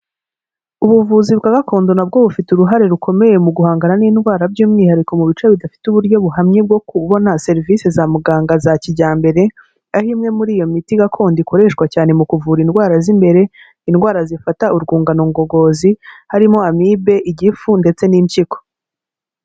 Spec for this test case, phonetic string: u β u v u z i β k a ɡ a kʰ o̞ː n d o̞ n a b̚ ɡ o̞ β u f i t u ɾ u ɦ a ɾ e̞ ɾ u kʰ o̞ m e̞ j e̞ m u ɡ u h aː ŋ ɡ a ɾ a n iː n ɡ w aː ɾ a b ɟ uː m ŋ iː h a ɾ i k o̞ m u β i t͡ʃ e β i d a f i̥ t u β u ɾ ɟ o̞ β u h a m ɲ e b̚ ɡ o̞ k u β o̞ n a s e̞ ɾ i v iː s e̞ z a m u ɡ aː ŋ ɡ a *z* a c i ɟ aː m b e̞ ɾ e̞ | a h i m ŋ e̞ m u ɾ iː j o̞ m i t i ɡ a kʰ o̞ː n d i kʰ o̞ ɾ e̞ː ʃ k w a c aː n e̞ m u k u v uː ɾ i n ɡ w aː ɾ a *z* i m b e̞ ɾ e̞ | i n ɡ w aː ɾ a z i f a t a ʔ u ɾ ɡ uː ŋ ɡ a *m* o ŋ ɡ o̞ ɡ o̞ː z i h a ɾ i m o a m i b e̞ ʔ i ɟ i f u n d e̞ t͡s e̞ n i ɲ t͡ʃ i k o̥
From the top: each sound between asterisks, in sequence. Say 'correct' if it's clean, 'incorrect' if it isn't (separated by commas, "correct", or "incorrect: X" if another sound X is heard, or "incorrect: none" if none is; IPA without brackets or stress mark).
correct, correct, incorrect: n